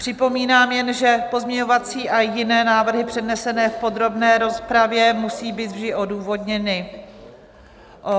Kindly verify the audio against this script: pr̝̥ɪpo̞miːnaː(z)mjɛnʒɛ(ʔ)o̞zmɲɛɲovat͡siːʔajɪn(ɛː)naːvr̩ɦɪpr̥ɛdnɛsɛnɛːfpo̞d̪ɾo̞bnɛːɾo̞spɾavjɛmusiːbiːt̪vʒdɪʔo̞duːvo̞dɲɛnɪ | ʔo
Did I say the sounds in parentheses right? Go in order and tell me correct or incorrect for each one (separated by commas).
incorrect, incorrect, correct